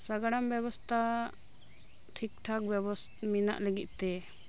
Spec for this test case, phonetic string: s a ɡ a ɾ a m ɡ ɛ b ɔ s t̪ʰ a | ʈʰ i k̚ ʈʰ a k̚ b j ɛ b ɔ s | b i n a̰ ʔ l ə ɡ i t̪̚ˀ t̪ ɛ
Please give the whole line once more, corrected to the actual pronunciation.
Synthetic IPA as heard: s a ɡ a ɽ a m b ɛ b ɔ s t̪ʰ a | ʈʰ i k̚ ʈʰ a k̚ b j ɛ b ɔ s | m i n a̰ ʔ l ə ɡ i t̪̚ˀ t̪ ɛ